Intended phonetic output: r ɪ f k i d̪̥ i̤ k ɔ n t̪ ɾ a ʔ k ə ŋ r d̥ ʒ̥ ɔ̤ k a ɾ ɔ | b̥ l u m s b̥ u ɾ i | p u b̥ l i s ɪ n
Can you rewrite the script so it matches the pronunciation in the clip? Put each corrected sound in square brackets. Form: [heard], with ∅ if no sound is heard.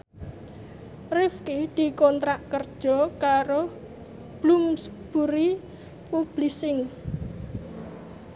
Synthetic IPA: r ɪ f k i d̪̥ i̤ k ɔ n t̪ ɾ a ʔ k ə [∅] r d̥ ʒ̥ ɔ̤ k a ɾ [o] | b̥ l u m s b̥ u ɾ i | p u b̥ l i s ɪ [ŋ]